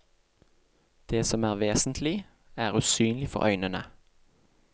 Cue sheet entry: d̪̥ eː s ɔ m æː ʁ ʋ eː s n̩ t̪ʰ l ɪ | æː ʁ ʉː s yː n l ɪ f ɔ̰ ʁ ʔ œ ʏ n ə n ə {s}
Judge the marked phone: incorrect: none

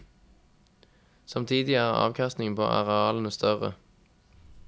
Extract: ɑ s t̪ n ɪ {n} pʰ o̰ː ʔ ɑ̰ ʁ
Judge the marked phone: incorrect: ŋ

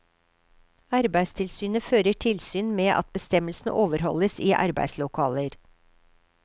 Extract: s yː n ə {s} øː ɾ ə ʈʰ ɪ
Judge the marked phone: incorrect: f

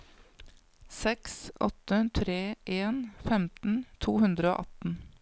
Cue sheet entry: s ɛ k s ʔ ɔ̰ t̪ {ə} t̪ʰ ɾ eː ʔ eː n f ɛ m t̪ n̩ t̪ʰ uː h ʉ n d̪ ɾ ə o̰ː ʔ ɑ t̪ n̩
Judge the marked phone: correct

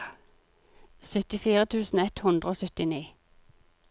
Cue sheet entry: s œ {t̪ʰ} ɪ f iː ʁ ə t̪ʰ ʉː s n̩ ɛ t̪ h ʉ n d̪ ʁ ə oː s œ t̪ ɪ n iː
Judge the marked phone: incorrect: t̪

